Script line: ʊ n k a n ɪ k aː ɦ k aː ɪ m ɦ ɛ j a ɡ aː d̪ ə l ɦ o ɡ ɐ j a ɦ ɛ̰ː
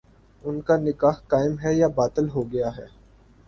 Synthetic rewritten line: ʊ n k a n ɪ k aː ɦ k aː ɪ m ɦ ɛ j a b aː t̪ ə l ɦ o ɡ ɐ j a ɦ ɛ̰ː